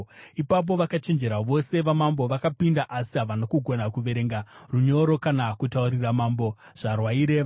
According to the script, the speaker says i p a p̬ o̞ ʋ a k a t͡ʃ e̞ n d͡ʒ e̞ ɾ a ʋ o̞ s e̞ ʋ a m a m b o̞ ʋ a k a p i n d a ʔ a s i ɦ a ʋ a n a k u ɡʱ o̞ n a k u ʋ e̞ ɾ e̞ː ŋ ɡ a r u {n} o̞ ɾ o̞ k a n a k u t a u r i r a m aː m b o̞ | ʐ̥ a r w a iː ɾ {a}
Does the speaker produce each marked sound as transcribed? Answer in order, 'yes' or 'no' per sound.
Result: no, no

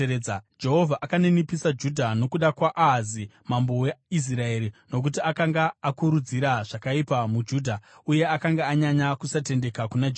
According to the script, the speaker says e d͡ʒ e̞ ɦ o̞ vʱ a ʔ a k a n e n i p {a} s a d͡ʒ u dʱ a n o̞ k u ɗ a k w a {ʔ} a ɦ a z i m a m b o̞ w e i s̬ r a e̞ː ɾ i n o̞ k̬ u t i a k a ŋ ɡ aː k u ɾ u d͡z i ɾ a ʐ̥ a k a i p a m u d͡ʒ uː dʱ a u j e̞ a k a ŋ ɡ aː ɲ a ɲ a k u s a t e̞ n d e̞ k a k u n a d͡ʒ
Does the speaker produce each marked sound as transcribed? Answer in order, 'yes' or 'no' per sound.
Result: no, yes

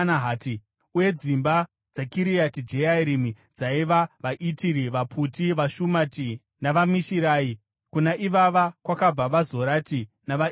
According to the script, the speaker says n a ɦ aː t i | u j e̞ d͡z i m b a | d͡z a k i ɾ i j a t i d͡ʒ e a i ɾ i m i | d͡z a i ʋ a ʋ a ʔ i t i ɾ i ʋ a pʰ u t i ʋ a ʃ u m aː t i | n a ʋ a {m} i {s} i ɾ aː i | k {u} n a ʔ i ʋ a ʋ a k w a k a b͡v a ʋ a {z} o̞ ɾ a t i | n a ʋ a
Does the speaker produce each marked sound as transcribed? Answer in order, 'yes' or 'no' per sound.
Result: yes, no, yes, yes

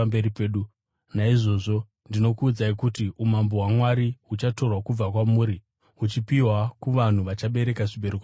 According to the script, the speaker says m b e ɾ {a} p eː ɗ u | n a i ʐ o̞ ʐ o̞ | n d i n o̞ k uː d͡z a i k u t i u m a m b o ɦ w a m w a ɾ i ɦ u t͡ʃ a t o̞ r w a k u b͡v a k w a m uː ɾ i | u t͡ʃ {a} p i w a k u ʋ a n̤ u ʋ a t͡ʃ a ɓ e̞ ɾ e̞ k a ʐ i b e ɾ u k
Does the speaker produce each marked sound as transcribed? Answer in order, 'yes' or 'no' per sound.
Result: no, no

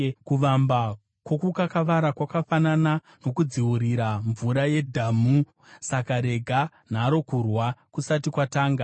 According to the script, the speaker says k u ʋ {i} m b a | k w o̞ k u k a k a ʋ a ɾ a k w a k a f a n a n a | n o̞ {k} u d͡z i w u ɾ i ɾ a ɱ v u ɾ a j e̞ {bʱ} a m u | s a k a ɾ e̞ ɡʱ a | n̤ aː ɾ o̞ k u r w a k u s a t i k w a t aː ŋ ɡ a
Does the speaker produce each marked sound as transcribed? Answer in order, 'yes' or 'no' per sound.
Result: no, yes, no

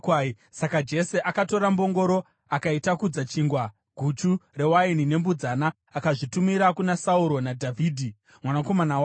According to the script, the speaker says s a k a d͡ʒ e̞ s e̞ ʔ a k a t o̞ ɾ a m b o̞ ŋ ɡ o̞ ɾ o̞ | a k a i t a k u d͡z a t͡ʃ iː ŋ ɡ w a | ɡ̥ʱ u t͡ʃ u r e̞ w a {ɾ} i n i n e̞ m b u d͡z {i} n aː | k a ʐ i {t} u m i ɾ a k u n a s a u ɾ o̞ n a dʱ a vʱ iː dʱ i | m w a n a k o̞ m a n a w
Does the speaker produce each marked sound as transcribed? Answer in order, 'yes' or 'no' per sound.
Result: no, no, yes

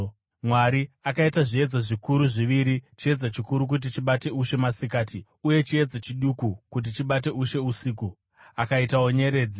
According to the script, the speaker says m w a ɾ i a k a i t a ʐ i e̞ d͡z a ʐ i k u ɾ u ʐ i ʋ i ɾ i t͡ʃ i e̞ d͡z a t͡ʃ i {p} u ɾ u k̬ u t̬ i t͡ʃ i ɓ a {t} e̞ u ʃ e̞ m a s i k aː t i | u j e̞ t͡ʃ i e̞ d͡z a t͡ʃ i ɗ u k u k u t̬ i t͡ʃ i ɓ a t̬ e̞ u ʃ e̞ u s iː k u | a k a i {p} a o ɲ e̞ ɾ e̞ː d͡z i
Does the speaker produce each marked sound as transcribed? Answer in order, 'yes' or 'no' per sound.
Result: no, yes, no

